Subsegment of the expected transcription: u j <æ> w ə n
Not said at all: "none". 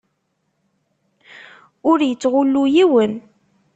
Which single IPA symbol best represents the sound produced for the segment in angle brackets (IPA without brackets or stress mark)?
i